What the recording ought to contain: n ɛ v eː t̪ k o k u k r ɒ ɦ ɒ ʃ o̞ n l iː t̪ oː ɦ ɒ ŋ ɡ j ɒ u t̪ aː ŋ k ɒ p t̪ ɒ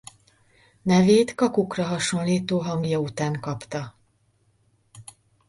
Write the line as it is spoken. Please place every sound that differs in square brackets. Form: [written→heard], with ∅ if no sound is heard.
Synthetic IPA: n ɛ v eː t̪ k [o→ɒ] k u k r ɒ ɦ ɒ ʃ o̞ n l iː t̪ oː ɦ ɒ ŋ ɡ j ɒ u t̪ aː ŋ k ɒ p t̪ ɒ